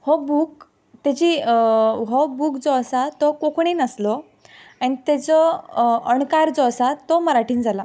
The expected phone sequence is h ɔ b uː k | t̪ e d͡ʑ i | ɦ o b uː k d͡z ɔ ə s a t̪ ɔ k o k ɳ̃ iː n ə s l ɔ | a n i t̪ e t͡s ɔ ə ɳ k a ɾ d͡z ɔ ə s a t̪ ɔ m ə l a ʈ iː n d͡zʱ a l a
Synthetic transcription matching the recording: h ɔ b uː k | t̪ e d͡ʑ i | ɦ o b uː k d͡z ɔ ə s a t̪ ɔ k o k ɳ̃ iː n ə s l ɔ | a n i t̪ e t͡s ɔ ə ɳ k a ɾ d͡z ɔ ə s a t̪ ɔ m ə ɾ a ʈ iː n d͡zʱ a l a

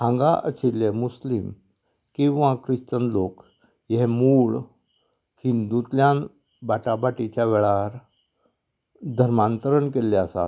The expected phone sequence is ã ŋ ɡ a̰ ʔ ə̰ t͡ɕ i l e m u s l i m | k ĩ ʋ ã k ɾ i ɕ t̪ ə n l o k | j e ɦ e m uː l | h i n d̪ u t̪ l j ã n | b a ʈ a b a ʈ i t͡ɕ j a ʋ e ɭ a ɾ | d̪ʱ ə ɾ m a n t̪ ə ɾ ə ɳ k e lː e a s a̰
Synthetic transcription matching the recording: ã ŋ ɡ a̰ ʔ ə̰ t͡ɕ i l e m u s l i m | k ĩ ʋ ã k ɾ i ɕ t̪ ə n l o k | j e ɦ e m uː ɭ | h i n d̪ u t̪ l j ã n | b a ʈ a b a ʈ i t͡ɕ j a ʋ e ɭ a ɾ | d̪ʱ ə ɾ m a n t̪ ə ɾ ə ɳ k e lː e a s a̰

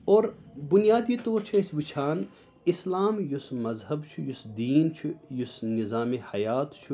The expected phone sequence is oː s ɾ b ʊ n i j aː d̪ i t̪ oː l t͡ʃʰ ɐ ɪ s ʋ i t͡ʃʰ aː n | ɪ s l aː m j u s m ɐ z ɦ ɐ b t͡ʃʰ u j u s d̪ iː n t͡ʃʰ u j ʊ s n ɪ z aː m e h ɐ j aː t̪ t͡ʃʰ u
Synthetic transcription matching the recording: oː ɾ b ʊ n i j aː d̪ i t̪ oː ɾ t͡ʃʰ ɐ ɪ s ʋ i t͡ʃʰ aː n | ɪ s l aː m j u s m ɐ z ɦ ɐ b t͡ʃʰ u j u s d̪ iː n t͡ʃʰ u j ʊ s n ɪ z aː m e h ɐ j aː t̪ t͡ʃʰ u

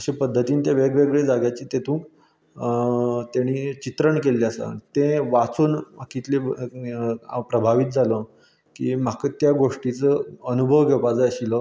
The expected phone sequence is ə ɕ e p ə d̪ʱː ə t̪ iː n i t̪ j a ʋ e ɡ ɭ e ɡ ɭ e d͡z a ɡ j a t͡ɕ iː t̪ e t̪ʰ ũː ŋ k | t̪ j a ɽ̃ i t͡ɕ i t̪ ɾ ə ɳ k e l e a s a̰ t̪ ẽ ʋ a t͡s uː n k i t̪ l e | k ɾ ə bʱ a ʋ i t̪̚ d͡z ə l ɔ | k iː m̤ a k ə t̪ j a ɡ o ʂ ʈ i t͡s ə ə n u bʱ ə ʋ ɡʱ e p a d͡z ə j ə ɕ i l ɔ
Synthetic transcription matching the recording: ə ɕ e p ə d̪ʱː ə t̪ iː n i t̪ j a ʋ e ɡ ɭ e ɡ ɭ e d͡z a ɡ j a t͡ɕ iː t̪ e t̪ʰ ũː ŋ k | t̪ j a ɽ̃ i t͡ɕ i t̪ ɾ ə ɳ k e l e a s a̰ t̪ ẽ ʋ a t͡s uː n k i t̪ l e | p ɾ ə bʱ a ʋ i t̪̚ d͡z a l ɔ | k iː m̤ a k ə t̪ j a ɡ o ʂ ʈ i t͡s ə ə n u bʱ ə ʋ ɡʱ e p a d͡z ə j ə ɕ i l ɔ

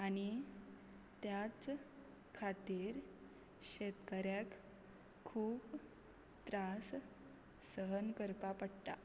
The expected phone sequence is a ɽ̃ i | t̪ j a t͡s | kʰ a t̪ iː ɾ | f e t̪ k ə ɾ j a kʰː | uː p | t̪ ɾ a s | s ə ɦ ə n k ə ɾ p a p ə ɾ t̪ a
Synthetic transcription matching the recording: a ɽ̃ i | t̪ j a t͡s | kʰ a t̪ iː ɾ | ɕ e t̪ k ə ɾ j a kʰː | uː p | t̪ ɾ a s | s ə ɦ ə n k ə ɾ p a p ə ɽ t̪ a

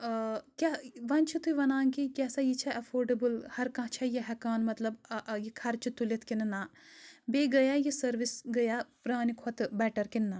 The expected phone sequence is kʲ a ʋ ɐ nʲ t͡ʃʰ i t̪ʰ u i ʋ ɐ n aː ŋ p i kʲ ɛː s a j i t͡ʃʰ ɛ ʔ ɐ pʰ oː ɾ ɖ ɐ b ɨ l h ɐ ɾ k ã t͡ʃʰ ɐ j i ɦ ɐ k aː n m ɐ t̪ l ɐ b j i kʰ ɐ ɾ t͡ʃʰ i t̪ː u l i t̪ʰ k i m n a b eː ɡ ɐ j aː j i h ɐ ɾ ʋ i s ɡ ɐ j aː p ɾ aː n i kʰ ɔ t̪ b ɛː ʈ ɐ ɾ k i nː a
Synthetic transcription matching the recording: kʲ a ʋ ɐ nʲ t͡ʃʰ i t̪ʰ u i ʋ ɐ n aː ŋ k i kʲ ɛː s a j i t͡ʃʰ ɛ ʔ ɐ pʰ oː ɾ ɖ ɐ b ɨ l h ɐ ɾ k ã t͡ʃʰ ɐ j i ɦ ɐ k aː n m ɐ t̪ l ɐ b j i kʰ ɐ ɾ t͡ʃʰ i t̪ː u l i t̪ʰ k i n n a b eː ɡ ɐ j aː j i s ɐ ɾ ʋ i s ɡ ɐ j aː p ɾ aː n i kʰ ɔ t̪ b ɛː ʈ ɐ ɾ k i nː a

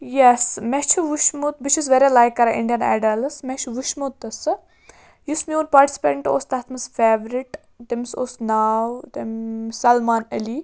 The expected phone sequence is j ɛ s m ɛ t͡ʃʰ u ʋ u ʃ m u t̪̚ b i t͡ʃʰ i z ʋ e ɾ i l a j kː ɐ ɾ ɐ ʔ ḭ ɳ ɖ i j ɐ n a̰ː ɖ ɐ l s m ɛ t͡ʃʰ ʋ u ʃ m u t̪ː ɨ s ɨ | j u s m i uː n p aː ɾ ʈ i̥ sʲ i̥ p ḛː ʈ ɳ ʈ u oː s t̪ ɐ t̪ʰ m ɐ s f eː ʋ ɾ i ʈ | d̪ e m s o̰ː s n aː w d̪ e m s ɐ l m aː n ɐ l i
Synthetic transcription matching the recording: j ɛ s m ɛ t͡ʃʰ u ʋ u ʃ m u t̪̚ b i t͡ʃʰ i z ʋ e ɾ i l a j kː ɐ ɾ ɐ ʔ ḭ ɳ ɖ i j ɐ n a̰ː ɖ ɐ l s m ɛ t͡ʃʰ ʋ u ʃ m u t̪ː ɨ s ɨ | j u s m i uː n p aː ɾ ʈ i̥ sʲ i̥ p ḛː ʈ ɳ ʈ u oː s t̪ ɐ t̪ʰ m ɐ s f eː ʋ ɾ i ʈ | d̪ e m s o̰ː s n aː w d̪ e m s ɐ l m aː n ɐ l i

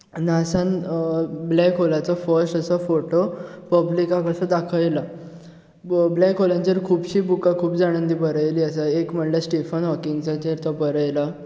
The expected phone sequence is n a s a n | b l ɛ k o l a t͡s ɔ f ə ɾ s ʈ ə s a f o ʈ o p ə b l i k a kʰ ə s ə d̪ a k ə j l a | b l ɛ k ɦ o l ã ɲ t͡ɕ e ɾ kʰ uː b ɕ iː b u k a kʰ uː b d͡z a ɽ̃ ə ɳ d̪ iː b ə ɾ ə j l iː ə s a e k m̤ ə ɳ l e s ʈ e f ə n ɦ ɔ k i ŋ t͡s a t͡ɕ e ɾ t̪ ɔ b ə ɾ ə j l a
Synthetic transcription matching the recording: n a s a n | b l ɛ k o l a t͡s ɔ f ə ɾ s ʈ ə s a f o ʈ o p ə b l i k a k ə s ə d̪ a kʰ ə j l a | b l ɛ k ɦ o l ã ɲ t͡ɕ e ɾ kʰ uː b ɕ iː b u k a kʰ uː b d͡z a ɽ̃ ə n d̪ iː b ə ɾ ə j l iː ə s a e k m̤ ə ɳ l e s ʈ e f ə n ɦ ɔ k i ŋ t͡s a t͡ɕ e ɾ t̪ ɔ b ə ɾ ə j l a

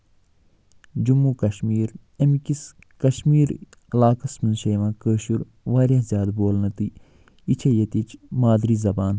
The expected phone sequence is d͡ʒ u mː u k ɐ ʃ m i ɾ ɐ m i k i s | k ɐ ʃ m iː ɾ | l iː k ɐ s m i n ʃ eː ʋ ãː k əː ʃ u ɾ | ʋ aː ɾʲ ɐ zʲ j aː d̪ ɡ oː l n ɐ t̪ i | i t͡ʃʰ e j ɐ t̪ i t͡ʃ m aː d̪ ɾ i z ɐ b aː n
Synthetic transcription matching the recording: d͡ʒ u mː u k ɐ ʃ m iː ɾ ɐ m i k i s | k ɐ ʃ m iː ɾ | l aː k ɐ s m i n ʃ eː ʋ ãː k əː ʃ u ɾ | ʋ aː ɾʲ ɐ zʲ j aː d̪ b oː l n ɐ t̪ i | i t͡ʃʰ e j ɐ t̪ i t͡ʃ m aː d̪ ɾ i z ɐ b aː n

